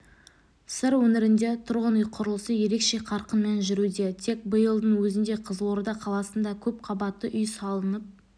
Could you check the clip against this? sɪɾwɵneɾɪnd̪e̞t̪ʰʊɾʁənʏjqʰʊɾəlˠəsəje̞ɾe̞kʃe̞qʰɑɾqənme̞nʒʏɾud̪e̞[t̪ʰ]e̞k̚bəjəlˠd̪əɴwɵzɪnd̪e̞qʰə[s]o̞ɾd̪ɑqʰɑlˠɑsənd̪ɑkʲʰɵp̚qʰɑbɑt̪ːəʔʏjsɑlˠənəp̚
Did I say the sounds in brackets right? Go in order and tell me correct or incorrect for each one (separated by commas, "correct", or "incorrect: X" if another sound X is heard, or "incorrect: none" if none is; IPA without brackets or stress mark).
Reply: correct, incorrect: z